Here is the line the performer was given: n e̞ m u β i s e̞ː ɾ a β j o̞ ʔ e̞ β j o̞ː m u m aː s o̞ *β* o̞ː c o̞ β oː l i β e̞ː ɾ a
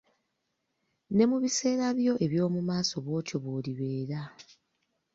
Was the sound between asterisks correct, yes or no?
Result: yes